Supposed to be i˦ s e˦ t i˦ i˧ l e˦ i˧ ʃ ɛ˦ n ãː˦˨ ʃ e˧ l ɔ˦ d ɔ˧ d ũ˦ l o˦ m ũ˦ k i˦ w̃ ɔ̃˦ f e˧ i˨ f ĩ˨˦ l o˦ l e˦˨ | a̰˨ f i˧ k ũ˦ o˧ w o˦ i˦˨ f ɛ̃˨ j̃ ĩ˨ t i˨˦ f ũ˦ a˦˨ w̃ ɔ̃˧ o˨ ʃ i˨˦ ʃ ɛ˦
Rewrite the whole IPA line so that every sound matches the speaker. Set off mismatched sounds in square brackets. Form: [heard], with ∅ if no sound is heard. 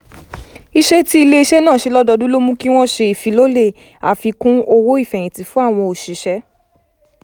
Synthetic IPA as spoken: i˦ [ʃ] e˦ t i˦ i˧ l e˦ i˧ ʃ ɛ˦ n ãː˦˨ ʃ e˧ l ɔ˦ d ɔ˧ d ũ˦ l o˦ m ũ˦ k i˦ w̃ ɔ̃˦ [ʃ] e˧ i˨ f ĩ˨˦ l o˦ l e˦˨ | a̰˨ f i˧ k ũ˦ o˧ w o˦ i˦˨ f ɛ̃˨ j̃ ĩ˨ t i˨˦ f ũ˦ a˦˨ w̃ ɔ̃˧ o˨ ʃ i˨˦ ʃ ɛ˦